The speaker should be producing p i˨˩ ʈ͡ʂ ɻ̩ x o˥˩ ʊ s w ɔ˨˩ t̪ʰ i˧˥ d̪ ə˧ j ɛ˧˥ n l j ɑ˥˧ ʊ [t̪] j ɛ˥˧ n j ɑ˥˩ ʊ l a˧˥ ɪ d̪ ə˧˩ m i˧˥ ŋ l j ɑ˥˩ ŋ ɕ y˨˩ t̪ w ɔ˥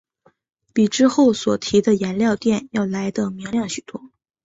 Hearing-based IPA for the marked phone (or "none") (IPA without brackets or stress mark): t̪